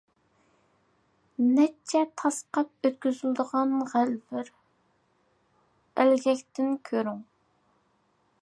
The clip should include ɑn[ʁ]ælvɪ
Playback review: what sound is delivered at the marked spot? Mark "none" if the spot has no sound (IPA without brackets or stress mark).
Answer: ʁ